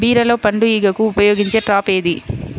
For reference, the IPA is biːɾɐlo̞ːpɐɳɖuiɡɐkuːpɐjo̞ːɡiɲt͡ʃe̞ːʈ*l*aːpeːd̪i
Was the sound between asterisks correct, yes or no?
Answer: no